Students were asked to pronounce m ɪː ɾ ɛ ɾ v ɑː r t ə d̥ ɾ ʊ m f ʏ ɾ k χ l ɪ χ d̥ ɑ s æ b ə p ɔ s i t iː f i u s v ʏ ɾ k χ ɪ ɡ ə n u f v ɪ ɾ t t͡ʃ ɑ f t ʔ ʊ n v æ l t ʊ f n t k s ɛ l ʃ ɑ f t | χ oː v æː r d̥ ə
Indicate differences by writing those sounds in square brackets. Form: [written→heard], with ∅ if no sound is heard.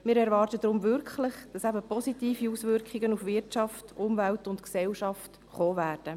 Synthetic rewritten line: m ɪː ɾ ɛ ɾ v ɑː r t ə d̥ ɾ ʊ m [f→v] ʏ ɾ k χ l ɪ χ d̥ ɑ s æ b ə p ɔ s i t iː f i u s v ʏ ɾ k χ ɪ ɡ ə n u f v ɪ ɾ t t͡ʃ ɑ f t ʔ ʊ [n→m] v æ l t ʊ [f→∅] n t k s ɛ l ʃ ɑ f t | χ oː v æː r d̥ ə